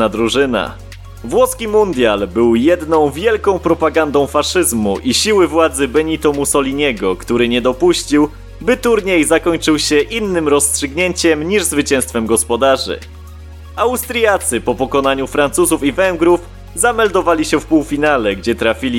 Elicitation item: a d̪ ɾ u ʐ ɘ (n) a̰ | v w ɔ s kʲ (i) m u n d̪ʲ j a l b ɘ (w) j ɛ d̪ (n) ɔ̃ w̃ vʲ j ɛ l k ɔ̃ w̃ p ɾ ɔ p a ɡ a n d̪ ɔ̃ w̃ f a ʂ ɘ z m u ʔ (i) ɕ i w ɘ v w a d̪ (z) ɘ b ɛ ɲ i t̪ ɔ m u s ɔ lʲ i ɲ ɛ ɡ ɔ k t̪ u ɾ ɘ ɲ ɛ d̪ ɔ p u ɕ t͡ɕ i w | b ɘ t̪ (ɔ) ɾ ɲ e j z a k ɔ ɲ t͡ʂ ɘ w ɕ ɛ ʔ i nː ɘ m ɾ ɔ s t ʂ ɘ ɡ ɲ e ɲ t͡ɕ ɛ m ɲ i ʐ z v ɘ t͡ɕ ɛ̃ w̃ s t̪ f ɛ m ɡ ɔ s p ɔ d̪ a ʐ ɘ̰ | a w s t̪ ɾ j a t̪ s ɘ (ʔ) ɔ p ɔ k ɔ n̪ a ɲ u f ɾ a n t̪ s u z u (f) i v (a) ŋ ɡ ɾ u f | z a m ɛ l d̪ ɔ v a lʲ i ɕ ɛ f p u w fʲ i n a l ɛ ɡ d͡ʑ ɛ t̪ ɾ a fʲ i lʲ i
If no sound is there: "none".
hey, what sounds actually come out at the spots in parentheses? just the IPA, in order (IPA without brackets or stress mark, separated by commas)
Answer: n, i, w, n, i, z, u, p, f, ɛ